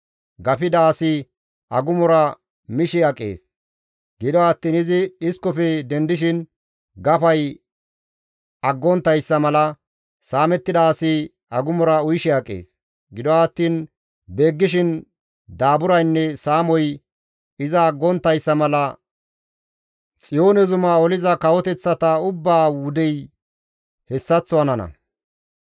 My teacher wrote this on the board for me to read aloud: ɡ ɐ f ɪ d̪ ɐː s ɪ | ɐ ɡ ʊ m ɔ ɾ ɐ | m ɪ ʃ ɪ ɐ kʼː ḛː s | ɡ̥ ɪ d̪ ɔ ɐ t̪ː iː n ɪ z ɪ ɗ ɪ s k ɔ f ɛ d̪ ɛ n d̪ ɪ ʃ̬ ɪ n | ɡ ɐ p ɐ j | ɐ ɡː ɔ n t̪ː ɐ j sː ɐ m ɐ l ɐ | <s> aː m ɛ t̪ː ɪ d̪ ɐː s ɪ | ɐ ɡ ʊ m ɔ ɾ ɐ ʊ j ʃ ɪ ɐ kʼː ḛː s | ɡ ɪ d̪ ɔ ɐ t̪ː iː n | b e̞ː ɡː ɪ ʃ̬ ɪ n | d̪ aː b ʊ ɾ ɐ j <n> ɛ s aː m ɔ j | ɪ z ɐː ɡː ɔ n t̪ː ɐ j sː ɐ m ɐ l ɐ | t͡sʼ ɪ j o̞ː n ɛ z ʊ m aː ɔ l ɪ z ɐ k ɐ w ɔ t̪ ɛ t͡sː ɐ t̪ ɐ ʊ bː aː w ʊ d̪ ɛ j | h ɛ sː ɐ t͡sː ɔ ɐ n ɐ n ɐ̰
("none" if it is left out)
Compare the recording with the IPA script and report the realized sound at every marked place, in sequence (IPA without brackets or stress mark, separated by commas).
s, nː